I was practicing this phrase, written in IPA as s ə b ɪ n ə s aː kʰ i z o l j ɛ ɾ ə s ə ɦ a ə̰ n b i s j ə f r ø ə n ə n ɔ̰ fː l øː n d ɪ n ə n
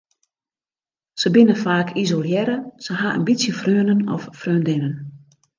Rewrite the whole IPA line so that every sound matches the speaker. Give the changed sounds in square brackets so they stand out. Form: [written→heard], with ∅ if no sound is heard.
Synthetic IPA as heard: s ə b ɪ n ə [s→f] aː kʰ i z o l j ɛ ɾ ə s ə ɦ a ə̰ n b i s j ə f r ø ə n ə n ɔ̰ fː [l→r] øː n d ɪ n ə n